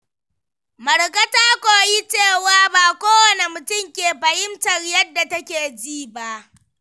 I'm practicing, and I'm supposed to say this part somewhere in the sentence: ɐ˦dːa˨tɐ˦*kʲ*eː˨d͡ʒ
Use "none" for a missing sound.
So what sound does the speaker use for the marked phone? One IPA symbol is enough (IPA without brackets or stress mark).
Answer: kʲ